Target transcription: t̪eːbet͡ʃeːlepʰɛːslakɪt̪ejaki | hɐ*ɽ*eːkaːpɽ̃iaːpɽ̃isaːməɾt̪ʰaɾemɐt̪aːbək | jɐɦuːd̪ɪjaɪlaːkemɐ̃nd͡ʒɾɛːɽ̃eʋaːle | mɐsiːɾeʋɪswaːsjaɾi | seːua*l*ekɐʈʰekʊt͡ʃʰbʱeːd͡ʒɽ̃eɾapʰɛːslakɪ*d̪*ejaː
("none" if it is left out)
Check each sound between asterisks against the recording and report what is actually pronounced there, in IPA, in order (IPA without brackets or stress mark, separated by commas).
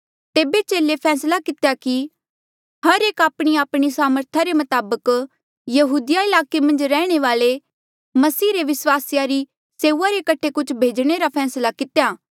ɾ, ɾ, t̪